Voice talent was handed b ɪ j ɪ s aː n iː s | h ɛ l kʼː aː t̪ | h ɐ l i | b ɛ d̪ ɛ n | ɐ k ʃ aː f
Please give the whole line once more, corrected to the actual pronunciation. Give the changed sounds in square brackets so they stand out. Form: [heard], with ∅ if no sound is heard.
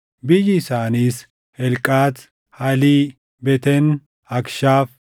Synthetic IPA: b ɪ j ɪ s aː n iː s | h ɛ l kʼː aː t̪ | h ɐ l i | b ɛ [t̪] ɛ n | ɐ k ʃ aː f